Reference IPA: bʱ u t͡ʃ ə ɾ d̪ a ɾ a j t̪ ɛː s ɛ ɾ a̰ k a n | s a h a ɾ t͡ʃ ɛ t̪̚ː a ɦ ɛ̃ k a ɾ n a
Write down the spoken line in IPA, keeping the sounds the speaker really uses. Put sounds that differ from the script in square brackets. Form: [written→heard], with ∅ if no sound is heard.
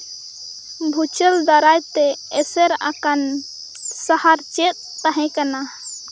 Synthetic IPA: bʱ u t͡ʃ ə [ɾ→l] d̪ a ɾ a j t̪ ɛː s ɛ ɾ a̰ k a n | s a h a ɾ t͡ʃ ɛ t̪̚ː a ɦ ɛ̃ k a [ɾ→∅] n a